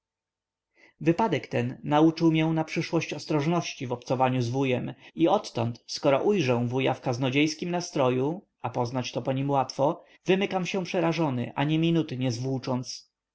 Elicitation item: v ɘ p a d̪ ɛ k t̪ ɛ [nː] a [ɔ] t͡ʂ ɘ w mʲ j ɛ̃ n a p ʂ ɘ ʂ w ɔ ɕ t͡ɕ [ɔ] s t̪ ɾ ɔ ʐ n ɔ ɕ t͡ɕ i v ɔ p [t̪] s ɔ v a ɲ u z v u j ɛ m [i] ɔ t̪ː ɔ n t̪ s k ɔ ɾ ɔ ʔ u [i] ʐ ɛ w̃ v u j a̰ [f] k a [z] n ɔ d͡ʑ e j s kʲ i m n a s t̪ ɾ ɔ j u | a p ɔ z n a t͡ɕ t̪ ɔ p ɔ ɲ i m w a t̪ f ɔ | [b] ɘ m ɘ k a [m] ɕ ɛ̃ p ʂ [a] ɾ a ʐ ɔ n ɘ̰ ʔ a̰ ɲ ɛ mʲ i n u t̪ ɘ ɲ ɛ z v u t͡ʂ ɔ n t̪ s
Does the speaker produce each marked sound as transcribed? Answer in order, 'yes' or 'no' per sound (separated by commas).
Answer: yes, no, yes, yes, yes, no, yes, yes, no, yes, no